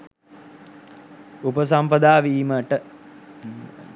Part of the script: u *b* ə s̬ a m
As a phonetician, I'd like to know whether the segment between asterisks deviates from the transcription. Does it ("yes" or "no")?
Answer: yes